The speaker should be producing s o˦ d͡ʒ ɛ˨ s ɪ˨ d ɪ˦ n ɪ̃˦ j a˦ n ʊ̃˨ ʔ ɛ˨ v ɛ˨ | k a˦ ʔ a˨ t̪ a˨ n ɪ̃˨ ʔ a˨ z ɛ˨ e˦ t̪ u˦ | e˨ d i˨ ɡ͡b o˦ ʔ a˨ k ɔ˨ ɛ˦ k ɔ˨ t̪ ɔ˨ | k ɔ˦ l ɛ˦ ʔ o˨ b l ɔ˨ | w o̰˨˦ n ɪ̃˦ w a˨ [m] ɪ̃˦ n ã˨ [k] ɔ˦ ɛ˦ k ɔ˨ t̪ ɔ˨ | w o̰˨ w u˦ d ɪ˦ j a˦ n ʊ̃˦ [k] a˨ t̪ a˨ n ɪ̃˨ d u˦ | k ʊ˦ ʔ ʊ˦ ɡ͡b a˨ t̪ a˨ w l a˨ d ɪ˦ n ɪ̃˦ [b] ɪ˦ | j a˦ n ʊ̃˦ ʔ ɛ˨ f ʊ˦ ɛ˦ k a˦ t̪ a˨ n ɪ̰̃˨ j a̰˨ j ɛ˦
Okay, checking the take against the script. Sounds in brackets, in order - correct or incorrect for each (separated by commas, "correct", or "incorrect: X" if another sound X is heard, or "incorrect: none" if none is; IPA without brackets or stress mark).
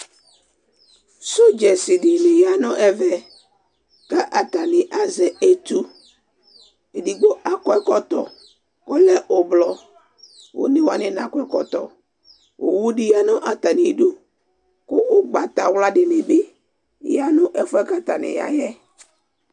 incorrect: n, correct, incorrect: ʔ, correct